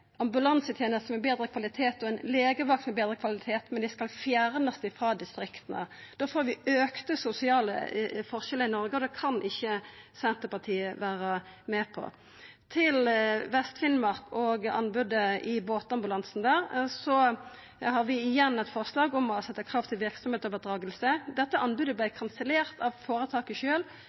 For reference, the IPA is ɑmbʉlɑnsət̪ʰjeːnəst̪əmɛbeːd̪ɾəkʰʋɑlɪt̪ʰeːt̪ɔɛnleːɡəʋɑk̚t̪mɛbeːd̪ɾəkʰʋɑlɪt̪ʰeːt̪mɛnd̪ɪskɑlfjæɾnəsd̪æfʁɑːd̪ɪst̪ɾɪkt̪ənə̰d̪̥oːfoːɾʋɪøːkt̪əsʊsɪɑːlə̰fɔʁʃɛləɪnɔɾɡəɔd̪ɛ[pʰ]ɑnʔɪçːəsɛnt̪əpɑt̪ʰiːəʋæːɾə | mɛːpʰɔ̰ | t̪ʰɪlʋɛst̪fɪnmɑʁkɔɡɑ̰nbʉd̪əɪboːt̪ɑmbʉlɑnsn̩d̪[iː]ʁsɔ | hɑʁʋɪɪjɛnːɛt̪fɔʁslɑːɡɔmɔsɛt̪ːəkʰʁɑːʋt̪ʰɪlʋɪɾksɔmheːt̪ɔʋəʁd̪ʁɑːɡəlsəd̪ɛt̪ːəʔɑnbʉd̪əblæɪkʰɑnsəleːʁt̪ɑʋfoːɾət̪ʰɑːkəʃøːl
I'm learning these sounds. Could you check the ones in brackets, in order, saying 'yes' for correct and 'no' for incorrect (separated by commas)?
no, no